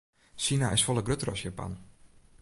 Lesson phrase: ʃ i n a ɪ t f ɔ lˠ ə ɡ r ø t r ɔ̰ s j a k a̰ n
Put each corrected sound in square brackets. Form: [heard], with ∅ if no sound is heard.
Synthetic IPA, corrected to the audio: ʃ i n a ɪ [s] f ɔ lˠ ə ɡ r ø t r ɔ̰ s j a [p] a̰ n

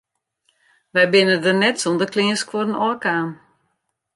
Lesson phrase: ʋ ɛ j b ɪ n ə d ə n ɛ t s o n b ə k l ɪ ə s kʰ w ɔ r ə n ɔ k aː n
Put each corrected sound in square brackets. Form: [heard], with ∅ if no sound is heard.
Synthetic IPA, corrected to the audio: ʋ ɛ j b ɪ n ə d ə n ɛ t s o n [d] ə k l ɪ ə s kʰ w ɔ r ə n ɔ k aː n

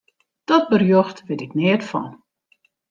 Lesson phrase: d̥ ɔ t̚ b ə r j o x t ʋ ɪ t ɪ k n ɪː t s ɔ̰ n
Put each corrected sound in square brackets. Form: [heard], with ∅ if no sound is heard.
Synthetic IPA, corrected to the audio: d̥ ɔ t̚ b ə r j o x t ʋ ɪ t ɪ k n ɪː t [f] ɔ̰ n

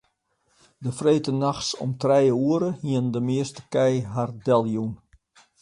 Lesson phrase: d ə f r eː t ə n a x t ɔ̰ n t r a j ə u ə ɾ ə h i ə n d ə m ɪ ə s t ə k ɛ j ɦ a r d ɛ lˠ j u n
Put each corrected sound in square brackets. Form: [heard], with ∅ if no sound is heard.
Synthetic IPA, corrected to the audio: d ə f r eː t ə n a x [s] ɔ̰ [m] t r [ɛ] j ə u ə ɾ ə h i ə n d ə m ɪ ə s t ə k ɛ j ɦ a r d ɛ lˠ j u n

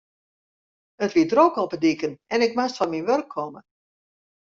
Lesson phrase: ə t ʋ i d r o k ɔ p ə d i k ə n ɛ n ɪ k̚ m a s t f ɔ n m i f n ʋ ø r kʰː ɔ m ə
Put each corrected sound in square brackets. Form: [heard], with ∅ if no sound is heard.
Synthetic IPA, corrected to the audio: ə t ʋ i d r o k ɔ p ə d i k ə n ɛ n ɪ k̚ m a s t f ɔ n m i [∅] n ʋ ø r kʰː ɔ m ə

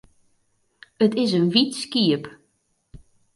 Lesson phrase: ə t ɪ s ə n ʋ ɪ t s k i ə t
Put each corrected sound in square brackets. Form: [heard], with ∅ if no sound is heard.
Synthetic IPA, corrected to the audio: ə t ɪ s ə n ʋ [i] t s k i ə [p]

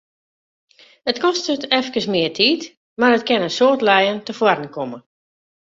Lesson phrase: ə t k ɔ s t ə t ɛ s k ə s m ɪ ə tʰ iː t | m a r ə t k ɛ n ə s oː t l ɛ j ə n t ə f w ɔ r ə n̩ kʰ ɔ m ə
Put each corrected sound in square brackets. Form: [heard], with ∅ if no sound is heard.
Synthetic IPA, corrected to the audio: ə t k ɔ s t ə t ɛ [f] k ə s m ɪ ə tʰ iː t | m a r ə t k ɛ n ə s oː t l ɛ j ə n t ə f w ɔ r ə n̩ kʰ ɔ m ə

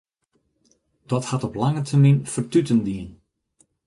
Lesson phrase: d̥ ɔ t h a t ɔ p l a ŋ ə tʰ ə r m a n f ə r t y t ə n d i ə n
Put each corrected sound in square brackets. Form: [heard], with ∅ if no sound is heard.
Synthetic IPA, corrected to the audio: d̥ ɔ t h a t ɔ p l a ŋ ə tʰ ə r m [i] n f ə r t y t ə n d i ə n

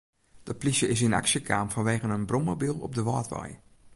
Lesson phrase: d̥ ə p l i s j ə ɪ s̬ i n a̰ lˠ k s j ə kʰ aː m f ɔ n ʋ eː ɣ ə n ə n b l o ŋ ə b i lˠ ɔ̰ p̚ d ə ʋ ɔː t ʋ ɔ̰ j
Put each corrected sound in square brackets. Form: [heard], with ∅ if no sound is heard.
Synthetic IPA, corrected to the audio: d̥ ə p l i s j ə ɪ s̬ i n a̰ [∅] k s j ə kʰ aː m f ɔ n ʋ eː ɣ ə n ə n b [r] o [m] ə b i lˠ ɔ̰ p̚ d ə ʋ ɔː t ʋ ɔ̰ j

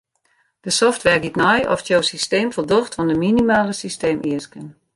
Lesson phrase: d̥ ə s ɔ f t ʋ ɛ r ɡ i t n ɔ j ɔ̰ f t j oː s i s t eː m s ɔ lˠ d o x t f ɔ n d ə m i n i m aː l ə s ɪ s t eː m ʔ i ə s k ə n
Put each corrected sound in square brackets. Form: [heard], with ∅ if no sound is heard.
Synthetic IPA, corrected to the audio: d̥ ə s ɔ f t ʋ ɛ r ɡ i t n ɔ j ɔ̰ f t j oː s i s t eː m [f] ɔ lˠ d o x t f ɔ n d ə m i n i m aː l ə s [i] s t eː m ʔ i ə s k ə n

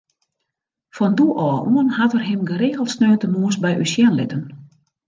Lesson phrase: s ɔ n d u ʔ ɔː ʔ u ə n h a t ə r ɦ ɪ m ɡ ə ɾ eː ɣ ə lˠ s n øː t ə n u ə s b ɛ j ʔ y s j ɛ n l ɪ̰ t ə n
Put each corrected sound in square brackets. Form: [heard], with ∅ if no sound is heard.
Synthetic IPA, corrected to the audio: [f] ɔ n d u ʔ ɔː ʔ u ə n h a t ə r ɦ ɪ m ɡ ə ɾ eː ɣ ə lˠ s n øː t ə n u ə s b ɛ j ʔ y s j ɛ n l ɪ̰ t ə n

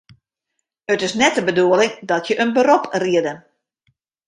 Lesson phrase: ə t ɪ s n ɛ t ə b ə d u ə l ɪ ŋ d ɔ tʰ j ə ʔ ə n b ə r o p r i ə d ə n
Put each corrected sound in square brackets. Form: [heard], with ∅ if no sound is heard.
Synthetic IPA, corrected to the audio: ə t ɪ s n ɛ t ə b ə d u ə l ɪ ŋ d ɔ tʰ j ə ʔ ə n b ə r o p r i ə d ə n

